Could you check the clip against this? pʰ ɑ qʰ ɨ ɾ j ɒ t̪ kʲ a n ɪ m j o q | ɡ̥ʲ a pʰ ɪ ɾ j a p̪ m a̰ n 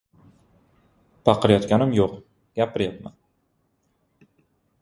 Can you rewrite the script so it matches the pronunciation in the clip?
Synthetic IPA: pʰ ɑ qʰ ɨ ɾ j ɒ t̪ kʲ a n ɪ m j o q | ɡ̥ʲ a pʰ ɪ ɾ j a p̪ m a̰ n

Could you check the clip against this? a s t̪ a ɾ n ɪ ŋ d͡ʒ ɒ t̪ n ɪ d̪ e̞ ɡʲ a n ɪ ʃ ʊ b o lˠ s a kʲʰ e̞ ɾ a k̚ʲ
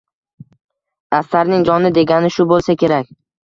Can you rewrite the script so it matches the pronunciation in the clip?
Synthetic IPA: a s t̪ a ɾ n ɪ ŋ d͡ʒ ɒ n ɪ d̪ e̞ ɡʲ a n ɪ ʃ ʊ b o lˠ s a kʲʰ e̞ ɾ a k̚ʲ

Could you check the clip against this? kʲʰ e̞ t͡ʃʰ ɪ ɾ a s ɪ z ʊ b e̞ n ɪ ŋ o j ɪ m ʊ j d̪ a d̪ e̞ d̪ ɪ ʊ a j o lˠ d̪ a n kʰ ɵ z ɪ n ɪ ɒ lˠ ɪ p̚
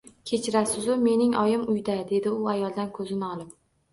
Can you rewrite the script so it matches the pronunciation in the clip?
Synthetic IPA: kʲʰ e̞ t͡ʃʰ ɪ ɾ a s ɪ z ʊ m e̞ n ɪ ŋ ɒ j ɪ m ʊ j d̪ a d̪ e̞ d̪ ɪ ʊ a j ɒ lˠ d̪ a n kʰ ɵ z ɪ n ɪ ɒ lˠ ɪ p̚

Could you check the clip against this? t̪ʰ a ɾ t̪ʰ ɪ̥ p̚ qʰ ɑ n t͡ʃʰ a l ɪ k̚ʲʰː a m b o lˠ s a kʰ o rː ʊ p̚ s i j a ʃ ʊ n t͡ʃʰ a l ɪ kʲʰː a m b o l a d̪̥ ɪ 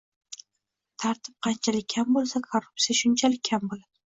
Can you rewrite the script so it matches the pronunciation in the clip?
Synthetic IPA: t̪ʰ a ɾ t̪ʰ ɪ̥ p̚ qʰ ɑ n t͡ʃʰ a l ɪ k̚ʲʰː a m b o lˠ s a kʰ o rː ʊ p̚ s i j a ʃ ʊ n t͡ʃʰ a l ɪ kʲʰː a m b o l a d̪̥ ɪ

